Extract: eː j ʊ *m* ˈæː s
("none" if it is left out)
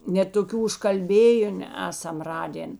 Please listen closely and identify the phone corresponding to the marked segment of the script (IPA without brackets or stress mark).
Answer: n